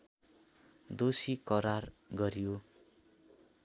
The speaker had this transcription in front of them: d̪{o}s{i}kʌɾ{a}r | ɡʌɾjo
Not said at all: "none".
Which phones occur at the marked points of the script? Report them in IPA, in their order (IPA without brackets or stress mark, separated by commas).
o, i, a